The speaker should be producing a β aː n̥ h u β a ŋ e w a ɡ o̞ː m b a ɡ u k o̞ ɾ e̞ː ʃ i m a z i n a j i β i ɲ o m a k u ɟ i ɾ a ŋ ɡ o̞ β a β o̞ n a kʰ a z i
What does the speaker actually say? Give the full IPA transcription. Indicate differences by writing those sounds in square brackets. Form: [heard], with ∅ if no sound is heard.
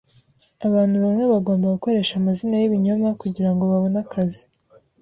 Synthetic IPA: a β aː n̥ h u β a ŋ e [β] a ɡ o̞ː m b a ɡ u k o̞ ɾ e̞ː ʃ [a] m a z i n a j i β i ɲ o m a k u ɟ i ɾ a ŋ ɡ o̞ β a β o̞ n a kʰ a z i